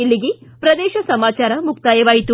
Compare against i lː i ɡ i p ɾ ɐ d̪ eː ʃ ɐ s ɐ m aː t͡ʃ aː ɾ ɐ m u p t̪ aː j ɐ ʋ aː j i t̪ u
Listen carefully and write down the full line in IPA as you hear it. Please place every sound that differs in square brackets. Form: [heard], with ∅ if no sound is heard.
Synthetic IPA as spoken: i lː i ɡ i p ɾ ɐ d̪ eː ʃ ɐ s ɐ m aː t͡ʃ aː ɾ ɐ m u [k] t̪ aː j ɐ ʋ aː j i t̪ u